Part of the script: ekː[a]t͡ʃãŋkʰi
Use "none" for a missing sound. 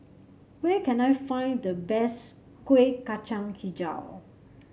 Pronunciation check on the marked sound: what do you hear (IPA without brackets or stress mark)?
a